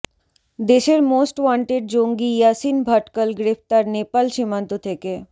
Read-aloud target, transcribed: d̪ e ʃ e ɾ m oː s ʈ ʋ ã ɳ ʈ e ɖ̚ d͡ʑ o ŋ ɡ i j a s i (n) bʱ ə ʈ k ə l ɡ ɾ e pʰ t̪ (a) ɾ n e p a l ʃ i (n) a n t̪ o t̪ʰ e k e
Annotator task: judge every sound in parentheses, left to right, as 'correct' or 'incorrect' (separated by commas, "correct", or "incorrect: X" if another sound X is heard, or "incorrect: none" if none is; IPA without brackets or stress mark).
correct, correct, incorrect: m